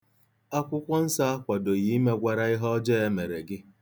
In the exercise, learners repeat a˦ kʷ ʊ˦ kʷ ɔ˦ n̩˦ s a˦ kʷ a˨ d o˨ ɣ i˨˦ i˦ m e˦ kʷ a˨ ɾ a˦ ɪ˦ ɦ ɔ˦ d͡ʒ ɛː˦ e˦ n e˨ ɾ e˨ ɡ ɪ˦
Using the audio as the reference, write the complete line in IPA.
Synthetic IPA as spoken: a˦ kʷ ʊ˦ kʷ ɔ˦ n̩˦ s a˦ kʷ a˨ d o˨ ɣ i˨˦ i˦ m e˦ ɡʷ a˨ ɾ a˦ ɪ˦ ɦ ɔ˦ d͡ʒ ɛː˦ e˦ m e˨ ɾ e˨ ɡ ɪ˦